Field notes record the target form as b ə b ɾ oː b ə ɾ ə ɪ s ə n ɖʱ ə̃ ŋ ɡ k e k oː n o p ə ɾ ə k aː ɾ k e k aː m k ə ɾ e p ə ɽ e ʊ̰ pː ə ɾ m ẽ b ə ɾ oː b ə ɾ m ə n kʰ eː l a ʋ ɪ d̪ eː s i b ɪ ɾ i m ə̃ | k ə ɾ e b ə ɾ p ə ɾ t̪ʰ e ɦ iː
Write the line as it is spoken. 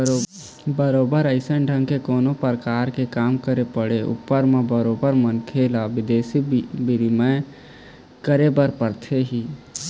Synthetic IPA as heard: b ə ɾ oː b ə ɾ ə ɪ s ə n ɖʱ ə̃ ŋ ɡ k e k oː n o p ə ɾ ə k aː ɾ k e k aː m k ə ɾ e p ə ɽ e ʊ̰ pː ə ɾ m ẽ b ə ɾ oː b ə ɾ m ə n kʰ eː l a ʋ ɪ d̪ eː s i b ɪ ɾ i m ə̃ | k ə ɾ e b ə ɾ p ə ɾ t̪ʰ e ɦ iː